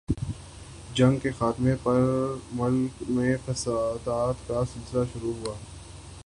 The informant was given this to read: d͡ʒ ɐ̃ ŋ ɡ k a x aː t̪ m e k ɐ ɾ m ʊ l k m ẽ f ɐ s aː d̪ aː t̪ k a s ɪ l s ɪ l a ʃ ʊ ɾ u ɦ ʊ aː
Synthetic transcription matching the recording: d͡ʒ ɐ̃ ŋ ɡ k e x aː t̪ m e p ɐ ɾ m ʊ l k m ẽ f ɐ s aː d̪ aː t̪ k a s ɪ l s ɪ l a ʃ ʊ ɾ u ɦ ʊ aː